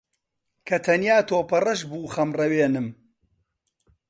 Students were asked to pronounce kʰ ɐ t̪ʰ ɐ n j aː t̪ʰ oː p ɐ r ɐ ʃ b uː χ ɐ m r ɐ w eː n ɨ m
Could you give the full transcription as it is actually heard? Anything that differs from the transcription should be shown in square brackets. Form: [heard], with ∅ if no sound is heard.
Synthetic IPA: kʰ ɐ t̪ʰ ɐ n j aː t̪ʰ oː p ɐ r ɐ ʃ b uː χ ɐ m r ɐ w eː n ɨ m